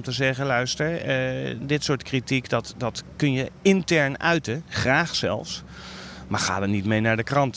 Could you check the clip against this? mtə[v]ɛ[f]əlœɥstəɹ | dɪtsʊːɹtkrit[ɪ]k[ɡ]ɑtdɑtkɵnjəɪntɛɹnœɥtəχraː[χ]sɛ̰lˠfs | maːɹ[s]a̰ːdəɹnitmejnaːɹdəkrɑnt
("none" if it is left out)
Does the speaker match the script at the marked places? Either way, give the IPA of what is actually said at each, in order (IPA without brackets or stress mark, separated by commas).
z, χ, i, d, χ, χ